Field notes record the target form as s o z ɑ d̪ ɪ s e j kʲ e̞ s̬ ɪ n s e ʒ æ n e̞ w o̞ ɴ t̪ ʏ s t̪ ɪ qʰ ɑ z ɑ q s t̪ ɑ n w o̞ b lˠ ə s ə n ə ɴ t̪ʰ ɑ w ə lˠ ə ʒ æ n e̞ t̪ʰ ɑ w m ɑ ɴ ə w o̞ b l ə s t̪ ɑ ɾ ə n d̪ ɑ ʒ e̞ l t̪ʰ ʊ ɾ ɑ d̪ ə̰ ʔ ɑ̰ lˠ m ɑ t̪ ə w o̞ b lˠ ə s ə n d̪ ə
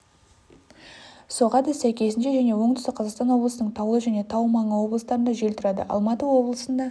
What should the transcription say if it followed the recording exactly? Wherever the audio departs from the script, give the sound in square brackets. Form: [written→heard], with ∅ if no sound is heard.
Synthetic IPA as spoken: s o [z→ʁ] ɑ d̪ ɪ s [e→æ] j kʲ e̞ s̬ ɪ n [s→ʃ] e ʒ æ n e̞ w o̞ ɴ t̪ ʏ s t̪ ɪ qʰ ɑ z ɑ q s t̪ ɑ n w o̞ b lˠ ə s ə n ə ɴ t̪ʰ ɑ w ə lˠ ə ʒ æ n e̞ t̪ʰ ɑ w m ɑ ɴ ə w o̞ b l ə s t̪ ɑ ɾ ə n d̪ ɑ ʒ e̞ l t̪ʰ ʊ ɾ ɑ d̪ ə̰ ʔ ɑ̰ lˠ m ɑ t̪ ə w o̞ b lˠ ə s ə n d̪ [ə→ɑ]